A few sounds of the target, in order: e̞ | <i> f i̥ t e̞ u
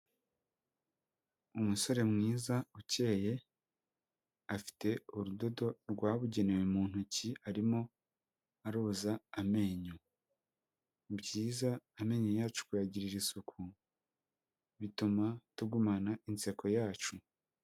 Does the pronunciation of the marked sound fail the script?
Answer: yes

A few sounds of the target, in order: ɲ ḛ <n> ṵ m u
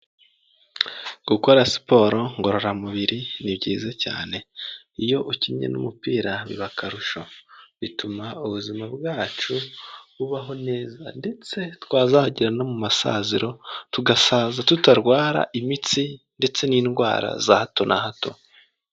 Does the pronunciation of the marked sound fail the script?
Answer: no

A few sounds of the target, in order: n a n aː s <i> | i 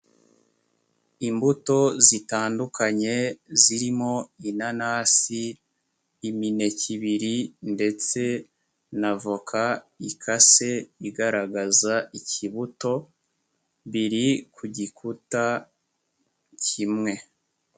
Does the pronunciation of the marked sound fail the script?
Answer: no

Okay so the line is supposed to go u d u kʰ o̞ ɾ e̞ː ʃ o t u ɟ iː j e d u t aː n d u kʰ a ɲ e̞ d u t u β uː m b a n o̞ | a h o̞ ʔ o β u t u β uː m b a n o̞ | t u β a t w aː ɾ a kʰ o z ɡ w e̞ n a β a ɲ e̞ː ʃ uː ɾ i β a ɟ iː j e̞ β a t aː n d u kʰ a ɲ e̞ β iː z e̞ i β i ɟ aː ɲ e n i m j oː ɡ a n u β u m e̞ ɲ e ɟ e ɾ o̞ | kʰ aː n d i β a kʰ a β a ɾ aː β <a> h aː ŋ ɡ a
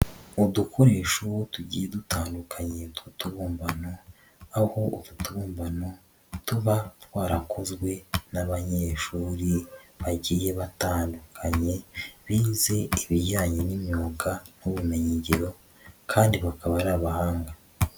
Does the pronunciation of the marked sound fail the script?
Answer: no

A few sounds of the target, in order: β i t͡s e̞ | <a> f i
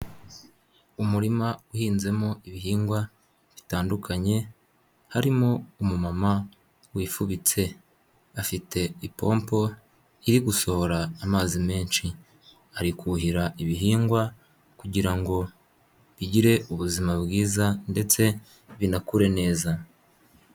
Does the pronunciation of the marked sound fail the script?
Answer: no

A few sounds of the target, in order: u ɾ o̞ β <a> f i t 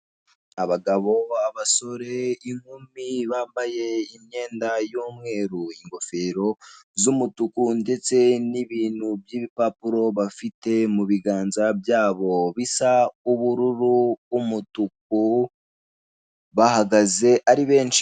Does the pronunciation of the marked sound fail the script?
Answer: no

